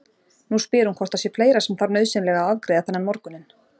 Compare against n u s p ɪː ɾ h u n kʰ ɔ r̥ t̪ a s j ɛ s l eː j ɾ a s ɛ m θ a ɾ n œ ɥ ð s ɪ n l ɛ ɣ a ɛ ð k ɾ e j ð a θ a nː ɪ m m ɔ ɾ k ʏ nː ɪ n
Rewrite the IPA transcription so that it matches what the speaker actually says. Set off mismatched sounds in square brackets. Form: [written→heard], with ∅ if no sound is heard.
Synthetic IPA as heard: n u s p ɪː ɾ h u n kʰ ɔ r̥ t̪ a s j ɛ [s→f] l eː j ɾ a s ɛ m θ a ɾ n œ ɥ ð s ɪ n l ɛ ɣ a [ɛ→a] ð k ɾ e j ð a θ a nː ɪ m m ɔ ɾ k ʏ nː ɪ n